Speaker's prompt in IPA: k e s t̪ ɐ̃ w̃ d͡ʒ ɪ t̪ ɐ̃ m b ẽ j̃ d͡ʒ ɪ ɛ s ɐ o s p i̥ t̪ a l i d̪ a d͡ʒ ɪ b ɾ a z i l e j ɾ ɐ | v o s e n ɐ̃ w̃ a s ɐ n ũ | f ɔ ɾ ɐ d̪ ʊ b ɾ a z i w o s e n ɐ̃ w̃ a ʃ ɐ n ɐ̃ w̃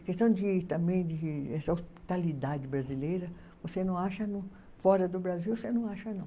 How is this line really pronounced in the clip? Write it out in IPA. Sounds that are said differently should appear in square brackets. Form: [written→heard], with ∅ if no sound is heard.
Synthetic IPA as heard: k e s t̪ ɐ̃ w̃ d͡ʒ ɪ t̪ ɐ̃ m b ẽ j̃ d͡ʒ ɪ ɛ s ɐ o s p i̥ t̪ a l i d̪ a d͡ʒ ɪ b ɾ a z i l e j ɾ ɐ | v o s e n ɐ̃ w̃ a [s→ʃ] ɐ n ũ | f ɔ ɾ ɐ d̪ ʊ b ɾ a z i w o s e n ɐ̃ w̃ a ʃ ɐ n ɐ̃ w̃